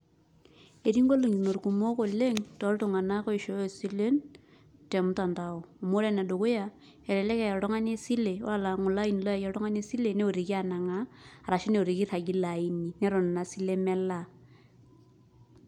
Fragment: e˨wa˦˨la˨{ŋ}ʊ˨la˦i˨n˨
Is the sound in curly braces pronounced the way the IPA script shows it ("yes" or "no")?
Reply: yes